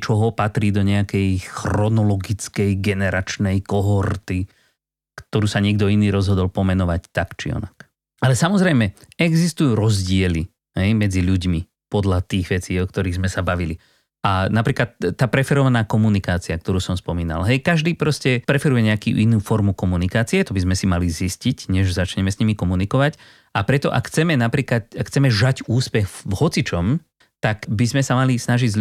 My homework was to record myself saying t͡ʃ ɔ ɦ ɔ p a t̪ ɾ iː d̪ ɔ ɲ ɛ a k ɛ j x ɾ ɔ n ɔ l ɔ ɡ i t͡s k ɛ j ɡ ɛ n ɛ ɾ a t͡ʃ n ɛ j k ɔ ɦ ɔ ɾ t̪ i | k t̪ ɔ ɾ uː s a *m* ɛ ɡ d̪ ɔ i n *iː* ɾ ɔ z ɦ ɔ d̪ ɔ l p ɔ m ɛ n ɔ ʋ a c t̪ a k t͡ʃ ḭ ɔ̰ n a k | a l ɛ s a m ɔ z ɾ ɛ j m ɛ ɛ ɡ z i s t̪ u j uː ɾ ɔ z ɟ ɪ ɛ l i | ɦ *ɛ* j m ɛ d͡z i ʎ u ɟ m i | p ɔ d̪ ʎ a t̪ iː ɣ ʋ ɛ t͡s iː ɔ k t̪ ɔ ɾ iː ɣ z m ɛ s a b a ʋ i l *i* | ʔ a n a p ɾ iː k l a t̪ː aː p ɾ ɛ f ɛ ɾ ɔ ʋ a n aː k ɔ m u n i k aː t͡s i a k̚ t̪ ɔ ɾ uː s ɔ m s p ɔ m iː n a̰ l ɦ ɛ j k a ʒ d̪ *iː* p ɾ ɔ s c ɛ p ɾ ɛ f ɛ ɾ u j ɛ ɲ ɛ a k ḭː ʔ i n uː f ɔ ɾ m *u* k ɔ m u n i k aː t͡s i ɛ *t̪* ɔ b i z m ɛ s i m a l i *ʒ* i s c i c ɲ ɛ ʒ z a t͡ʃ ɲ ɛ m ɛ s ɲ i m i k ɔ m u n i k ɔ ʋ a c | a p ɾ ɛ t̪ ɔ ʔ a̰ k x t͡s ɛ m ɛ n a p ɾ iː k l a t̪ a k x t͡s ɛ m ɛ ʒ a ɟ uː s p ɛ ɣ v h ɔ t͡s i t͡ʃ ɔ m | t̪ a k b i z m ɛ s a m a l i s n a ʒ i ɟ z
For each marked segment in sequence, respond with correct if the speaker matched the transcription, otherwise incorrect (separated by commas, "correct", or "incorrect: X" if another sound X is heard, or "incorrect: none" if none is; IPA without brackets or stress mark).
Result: incorrect: ɲ, correct, correct, correct, correct, correct, correct, incorrect: z